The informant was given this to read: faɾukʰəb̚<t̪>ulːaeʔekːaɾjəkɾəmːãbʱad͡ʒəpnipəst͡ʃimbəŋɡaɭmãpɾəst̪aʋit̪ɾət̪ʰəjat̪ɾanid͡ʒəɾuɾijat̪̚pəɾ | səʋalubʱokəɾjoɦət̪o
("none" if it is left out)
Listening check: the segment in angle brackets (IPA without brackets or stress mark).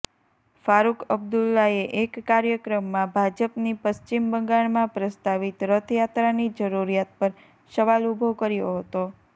d̪